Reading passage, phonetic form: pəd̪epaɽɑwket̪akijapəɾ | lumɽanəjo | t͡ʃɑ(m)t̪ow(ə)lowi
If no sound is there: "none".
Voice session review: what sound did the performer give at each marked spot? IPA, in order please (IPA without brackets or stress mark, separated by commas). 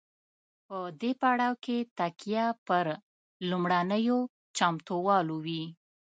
m, ɑ